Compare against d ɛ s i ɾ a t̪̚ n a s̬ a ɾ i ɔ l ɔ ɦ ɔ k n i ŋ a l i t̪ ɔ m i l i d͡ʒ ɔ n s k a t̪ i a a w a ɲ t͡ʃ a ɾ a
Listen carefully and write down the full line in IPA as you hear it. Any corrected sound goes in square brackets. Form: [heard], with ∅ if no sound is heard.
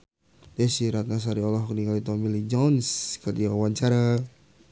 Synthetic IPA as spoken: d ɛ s i ɾ a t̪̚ n a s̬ a ɾ i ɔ l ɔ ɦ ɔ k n i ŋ a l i t̪ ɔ m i l i d͡ʒ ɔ n s k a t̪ i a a w a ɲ t͡ʃ a ɾ a